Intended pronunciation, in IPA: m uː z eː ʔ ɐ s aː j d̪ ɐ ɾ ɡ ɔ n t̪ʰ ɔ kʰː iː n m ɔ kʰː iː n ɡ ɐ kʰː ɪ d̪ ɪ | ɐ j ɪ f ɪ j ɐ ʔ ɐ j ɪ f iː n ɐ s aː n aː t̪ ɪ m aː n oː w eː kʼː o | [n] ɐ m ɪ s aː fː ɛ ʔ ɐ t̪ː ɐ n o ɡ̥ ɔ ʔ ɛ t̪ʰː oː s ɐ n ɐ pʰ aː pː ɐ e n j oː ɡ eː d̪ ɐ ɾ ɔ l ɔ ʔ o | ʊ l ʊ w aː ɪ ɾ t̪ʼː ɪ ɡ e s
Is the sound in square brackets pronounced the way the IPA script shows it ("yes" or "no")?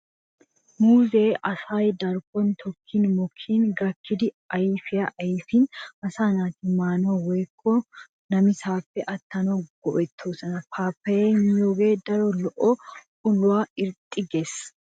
yes